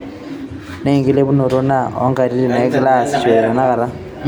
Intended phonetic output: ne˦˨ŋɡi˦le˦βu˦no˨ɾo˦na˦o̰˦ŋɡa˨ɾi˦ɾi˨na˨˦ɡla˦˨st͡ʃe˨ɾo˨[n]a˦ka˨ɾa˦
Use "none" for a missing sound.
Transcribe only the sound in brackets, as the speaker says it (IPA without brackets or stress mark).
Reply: n